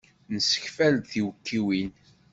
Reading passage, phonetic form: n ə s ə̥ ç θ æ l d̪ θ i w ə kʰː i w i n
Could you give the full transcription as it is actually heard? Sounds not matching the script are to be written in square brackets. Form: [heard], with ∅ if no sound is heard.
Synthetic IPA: n ə s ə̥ ç [f] æ l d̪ θ i w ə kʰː i w i n